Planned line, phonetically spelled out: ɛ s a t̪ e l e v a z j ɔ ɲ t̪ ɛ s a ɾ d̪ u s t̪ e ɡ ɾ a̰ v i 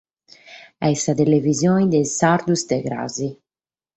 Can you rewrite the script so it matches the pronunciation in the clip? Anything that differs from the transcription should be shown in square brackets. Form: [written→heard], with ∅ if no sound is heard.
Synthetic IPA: ɛ s a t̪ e l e v [a→i] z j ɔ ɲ [t̪→d̪] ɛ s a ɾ d̪ u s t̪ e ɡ ɾ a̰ [v→z] i